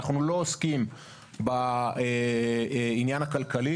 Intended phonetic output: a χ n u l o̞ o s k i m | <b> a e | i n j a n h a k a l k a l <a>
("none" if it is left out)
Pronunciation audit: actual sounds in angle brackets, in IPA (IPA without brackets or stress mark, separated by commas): b, i